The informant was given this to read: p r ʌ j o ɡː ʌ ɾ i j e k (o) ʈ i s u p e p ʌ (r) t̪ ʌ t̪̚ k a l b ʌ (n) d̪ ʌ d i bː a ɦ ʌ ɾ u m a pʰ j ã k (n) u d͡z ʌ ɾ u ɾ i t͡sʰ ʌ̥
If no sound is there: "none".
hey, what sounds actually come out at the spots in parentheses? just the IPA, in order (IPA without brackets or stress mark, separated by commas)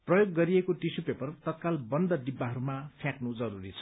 o, r, n, n